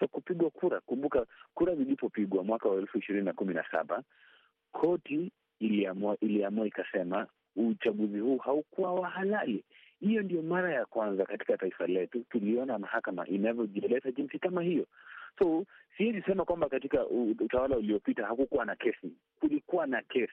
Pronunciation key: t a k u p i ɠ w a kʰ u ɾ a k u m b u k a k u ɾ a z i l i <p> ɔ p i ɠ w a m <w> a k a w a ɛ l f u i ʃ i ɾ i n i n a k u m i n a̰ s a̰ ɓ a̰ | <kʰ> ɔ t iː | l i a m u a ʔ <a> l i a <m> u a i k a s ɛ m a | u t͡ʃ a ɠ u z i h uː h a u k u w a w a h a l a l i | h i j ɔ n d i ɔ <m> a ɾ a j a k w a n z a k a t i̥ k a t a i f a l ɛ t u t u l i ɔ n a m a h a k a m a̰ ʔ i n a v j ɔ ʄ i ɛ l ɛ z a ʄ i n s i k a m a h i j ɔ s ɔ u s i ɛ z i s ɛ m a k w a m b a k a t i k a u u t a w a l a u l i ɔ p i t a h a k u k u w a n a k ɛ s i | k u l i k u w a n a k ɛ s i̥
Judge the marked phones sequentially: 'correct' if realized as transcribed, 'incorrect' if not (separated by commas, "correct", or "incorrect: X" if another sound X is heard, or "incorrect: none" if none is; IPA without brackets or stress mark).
correct, correct, correct, incorrect: i, correct, correct